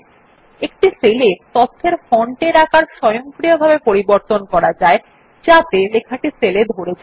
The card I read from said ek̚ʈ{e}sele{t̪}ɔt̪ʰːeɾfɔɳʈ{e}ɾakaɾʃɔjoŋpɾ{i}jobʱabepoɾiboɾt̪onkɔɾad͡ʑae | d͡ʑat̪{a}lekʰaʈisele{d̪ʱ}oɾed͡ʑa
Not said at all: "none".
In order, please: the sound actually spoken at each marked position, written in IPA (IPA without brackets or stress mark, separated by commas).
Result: i, t̪, e, i, e, d̪ʱ